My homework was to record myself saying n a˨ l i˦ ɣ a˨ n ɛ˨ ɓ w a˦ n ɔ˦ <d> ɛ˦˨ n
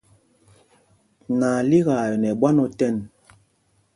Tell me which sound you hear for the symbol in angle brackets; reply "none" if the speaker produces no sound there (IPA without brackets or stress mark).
t